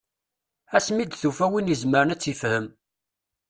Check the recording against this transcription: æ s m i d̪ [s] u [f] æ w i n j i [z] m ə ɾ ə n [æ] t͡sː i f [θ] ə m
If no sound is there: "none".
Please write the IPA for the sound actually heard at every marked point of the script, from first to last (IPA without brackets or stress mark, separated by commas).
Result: θ, f, z, æ, h